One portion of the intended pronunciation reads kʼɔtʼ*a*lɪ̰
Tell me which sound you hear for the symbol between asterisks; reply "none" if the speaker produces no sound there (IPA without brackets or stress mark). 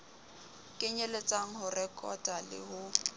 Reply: a